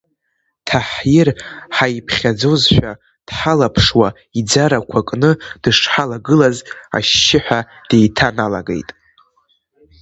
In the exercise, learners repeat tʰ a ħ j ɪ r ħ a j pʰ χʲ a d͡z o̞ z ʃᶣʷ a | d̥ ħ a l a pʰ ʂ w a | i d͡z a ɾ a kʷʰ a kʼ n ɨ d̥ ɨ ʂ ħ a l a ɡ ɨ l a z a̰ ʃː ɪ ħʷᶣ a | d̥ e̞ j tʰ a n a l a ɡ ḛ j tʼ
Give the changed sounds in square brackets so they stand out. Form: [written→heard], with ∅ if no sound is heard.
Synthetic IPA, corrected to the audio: tʰ a ħ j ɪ r ħ a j pʰ χʲ a d͡z o̞ z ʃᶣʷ a | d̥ ħ a l a pʰ ʂ w a | i d͡z a ɾ a kʷʰ a kʼ n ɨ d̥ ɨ ʂ ħ a l a ɡ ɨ l a z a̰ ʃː ɪ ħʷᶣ a | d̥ e̞ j tʰ a n a l a ɡ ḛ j tʼ